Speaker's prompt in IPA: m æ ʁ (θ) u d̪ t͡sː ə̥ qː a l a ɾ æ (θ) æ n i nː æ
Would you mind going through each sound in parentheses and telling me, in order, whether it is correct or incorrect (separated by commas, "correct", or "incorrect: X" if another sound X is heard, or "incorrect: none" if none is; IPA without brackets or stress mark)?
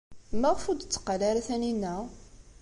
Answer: incorrect: f, correct